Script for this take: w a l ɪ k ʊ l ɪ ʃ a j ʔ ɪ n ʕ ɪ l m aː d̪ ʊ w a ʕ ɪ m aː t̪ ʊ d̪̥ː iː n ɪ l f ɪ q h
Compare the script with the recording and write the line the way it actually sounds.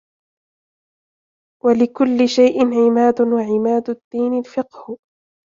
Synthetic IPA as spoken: w a l ɪ k ʊ lː ɪ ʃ a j ʔ ɪ n ʕ ɪ m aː d̪ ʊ w a ʕ ɪ m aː d̪ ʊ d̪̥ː iː n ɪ l f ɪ q h